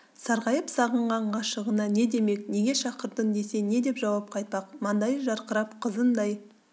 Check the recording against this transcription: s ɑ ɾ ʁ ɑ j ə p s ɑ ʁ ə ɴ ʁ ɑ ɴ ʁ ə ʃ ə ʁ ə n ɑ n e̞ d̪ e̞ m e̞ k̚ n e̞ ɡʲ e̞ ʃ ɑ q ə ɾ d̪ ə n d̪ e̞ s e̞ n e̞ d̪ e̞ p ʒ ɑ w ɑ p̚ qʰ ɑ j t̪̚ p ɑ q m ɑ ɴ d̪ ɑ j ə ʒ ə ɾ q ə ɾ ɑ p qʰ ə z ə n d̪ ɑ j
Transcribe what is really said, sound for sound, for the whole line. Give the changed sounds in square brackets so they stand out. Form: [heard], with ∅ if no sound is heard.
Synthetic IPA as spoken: s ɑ ɾ ʁ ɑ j ə p s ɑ ʁ ə ɴ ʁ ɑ ɴ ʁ [ɑ] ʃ ə ʁ ə n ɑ n e̞ d̪ e̞ m e̞ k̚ n e̞ ɡʲ e̞ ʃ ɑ q ə ɾ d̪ ə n d̪ e̞ s e̞ n e̞ d̪ e̞ p ʒ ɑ w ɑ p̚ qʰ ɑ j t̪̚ p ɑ q m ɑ [n] d̪ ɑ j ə ʒ [ɑ] ɾ q ə ɾ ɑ p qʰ ə z ə n d̪ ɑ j